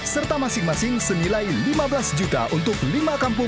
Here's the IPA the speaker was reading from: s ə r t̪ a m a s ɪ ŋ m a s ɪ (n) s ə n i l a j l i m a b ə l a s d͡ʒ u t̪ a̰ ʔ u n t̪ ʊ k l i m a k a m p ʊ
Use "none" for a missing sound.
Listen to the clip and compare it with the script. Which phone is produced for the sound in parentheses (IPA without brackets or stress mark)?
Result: ŋ